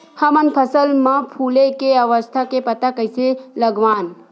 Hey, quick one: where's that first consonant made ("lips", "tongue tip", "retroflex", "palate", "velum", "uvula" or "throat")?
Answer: throat